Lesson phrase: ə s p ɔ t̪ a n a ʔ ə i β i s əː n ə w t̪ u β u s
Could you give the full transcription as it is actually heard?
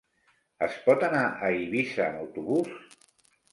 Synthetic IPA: ə s p ɔ t̪ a n a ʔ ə i β i s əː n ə w t̪ u β u s

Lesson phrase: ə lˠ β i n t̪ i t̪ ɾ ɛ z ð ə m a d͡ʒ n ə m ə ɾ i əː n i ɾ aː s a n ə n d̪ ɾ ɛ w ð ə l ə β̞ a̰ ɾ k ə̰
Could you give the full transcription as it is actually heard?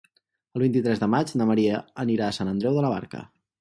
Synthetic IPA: ə lˠ β i n t̪ i t̪ ɾ ɛ z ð ə m a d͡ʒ n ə m ə ɾ i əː n i ɾ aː s a n ə n d̪ ɾ ɛ w ð ə l ə β̞ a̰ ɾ k ə̰

